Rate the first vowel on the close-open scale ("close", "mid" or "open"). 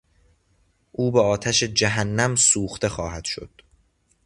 close